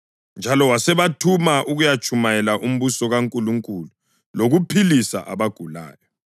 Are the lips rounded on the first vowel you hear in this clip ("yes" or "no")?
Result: no